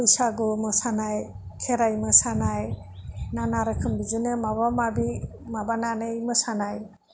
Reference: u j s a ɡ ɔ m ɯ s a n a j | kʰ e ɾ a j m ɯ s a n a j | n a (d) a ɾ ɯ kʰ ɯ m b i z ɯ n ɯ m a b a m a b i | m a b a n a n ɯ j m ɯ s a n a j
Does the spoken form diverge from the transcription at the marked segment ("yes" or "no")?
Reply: yes